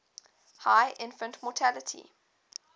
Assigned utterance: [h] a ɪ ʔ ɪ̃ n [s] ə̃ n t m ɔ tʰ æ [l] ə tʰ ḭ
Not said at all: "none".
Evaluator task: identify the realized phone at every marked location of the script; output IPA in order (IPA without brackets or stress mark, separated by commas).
h, f, l